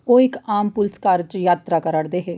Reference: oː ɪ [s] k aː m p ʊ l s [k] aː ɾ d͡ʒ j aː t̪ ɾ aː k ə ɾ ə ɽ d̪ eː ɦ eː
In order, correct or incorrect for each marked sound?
incorrect, correct

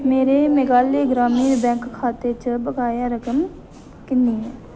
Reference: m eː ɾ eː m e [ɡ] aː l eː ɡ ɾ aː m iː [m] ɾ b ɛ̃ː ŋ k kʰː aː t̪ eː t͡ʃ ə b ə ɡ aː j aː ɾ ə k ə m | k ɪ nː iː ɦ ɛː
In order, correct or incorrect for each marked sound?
correct, incorrect

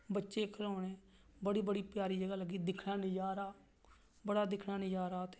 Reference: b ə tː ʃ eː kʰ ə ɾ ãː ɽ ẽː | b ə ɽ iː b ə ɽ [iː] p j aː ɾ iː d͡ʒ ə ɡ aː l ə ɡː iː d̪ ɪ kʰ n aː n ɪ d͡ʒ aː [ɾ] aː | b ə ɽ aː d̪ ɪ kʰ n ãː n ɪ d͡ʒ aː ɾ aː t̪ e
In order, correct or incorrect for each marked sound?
correct, correct

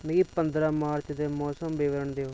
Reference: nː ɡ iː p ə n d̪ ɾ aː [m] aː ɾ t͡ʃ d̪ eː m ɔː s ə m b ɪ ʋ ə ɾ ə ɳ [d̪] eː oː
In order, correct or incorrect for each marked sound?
correct, correct

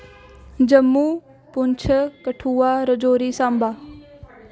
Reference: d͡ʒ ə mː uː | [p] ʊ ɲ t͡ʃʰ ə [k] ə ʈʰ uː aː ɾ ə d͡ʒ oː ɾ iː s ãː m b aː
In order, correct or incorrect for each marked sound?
correct, correct

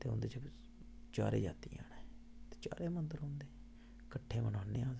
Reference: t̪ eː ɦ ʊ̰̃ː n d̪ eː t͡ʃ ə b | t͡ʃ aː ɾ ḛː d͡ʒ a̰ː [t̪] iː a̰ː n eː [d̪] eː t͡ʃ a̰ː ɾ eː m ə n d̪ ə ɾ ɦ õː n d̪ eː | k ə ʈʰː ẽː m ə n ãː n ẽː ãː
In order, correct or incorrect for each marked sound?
correct, incorrect

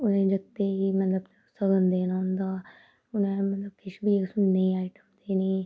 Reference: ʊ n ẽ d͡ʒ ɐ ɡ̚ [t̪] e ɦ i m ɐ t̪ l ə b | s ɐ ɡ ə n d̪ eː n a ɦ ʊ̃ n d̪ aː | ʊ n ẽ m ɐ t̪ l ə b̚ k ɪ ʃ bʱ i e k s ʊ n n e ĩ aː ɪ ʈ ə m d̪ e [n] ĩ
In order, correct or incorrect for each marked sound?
correct, correct

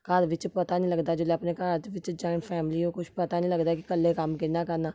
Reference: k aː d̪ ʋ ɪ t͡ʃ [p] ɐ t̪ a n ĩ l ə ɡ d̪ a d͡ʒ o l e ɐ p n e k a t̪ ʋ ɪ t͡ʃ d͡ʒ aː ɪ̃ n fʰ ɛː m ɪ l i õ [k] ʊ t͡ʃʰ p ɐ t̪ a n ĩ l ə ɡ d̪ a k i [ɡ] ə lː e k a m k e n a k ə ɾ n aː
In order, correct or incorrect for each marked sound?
correct, correct, incorrect

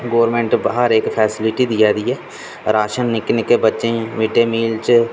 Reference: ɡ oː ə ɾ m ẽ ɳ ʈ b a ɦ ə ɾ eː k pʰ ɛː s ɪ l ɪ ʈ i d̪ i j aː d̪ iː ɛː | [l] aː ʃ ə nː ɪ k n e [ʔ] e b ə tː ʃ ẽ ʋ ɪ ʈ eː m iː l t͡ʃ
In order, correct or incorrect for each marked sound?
incorrect, incorrect

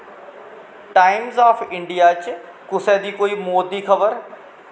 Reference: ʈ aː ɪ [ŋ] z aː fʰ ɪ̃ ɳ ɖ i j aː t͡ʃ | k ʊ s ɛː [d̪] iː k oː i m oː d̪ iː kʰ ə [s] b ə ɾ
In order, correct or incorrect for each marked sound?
incorrect, correct, incorrect

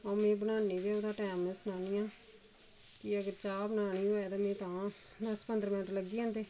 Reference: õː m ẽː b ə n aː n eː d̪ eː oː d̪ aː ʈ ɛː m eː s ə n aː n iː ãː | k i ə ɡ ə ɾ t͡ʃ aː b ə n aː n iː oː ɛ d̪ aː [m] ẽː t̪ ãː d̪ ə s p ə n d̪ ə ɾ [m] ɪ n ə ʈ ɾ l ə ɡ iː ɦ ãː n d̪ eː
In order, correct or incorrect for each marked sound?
correct, correct

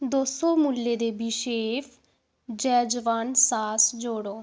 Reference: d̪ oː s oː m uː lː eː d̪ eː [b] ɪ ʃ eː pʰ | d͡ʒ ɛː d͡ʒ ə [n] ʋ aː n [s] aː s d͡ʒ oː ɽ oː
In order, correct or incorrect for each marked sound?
correct, incorrect, correct

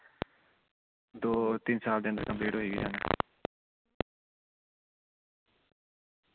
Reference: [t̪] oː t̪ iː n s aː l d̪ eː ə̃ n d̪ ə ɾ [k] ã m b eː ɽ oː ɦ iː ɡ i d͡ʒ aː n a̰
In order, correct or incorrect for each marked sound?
incorrect, correct

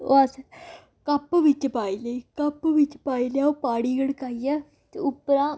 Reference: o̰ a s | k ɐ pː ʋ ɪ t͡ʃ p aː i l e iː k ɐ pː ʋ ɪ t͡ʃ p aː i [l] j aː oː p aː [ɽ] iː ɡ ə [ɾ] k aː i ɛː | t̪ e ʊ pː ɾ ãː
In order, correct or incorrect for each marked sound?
correct, correct, incorrect

